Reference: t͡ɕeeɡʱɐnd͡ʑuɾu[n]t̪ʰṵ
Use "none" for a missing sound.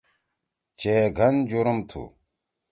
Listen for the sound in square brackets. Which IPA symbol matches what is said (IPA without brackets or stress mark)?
m